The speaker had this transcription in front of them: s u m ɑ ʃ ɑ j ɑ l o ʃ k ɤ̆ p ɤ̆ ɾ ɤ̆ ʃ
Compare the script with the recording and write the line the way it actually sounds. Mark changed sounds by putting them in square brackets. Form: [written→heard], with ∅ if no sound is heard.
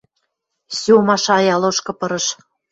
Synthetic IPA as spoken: s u m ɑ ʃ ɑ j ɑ l o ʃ k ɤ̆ p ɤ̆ ɾ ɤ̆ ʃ